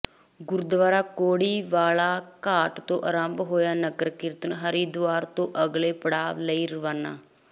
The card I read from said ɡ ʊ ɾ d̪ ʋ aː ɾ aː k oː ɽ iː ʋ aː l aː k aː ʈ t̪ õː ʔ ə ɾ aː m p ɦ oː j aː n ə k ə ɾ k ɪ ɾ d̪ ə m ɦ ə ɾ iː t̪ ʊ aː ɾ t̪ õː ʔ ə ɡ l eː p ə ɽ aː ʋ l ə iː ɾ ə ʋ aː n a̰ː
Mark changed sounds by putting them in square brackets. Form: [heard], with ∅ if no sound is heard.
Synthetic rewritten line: ɡ ʊ ɾ d̪ ʋ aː ɾ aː k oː ɽ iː ʋ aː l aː k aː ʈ t̪ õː ʔ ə ɾ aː m [b] ɦ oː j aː n ə k ə ɾ k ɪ ɾ [t̪] ə [n] ɦ ə ɾ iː [d̪] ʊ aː ɾ t̪ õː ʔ ə ɡ l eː p ə ɽ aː ʋ l ə iː ɾ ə ʋ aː n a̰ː